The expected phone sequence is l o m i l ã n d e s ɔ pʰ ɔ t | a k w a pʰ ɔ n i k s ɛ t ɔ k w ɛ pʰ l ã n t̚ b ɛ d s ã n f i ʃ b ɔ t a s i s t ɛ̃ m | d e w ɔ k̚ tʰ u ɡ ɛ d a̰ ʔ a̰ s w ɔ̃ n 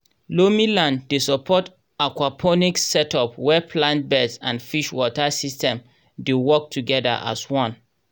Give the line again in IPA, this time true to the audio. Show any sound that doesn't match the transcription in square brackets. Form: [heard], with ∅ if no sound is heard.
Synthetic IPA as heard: l o m i l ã n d e s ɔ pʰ ɔ t | a k w a pʰ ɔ n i k s ɛ t ɔ [p] w ɛ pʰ l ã n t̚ b ɛ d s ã n f i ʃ [w] ɔ t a s i s t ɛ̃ m | d e w ɔ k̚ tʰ u ɡ ɛ d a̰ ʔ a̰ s w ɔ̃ n